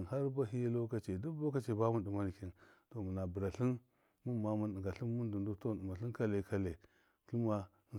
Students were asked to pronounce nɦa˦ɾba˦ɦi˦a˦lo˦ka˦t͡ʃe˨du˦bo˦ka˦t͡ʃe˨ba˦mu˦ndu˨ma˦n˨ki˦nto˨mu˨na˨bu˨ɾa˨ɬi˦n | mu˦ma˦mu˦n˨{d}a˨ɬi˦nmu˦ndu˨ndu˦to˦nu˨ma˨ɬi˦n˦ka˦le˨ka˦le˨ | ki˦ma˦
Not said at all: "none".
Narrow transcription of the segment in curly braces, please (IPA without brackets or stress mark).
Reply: ɡ